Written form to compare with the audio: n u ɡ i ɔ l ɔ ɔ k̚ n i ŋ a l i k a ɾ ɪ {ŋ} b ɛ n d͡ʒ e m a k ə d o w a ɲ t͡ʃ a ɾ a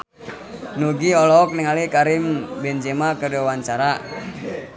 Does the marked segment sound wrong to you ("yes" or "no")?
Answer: yes